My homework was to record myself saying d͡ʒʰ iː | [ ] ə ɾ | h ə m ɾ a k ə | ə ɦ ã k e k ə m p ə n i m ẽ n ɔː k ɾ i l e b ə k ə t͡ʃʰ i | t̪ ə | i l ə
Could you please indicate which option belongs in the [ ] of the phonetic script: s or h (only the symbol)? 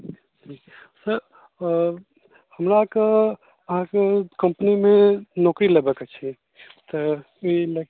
s